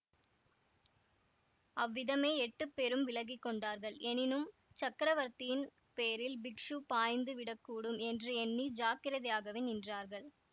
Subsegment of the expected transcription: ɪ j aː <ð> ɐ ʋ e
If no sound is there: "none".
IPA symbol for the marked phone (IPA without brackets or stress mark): ɣ